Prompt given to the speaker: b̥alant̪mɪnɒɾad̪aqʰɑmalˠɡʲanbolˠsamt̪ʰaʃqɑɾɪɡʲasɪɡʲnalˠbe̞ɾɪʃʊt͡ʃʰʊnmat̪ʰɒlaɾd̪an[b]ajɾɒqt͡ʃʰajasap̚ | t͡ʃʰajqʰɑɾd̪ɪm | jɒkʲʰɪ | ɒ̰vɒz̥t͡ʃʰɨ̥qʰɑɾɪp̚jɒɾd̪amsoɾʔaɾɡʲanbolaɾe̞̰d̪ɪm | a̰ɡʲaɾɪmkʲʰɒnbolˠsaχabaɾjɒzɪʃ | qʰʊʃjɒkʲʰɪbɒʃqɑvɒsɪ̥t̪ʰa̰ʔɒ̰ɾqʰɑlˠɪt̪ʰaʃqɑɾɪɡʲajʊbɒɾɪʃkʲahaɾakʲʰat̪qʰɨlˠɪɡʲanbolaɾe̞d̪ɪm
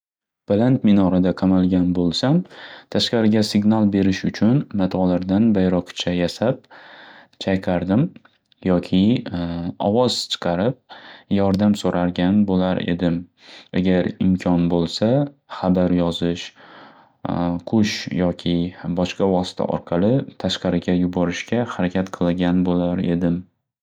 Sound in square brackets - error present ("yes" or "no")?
no